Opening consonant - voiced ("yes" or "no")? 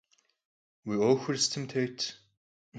yes